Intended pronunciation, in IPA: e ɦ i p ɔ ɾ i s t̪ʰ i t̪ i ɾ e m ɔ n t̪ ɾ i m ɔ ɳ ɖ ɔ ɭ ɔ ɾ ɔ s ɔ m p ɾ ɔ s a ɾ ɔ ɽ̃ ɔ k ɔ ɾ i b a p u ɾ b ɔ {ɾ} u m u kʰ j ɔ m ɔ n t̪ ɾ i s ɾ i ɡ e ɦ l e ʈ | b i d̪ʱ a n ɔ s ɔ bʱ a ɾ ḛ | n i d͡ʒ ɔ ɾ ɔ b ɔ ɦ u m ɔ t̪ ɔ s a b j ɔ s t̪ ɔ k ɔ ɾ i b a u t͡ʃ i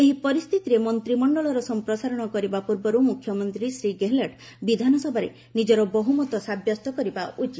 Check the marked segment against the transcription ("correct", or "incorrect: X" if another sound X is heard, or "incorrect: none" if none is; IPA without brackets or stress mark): correct